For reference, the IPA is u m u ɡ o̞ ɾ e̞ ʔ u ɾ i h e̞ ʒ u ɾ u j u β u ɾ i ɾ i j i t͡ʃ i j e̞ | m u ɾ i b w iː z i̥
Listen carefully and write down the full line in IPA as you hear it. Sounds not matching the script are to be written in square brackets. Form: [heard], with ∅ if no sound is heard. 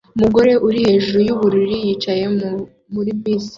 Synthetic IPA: u m u ɡ o̞ ɾ e̞ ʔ u ɾ i h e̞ ʒ u ɾ u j u β u ɾ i ɾ i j i t͡ʃ [a] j e̞ | m u ɾ i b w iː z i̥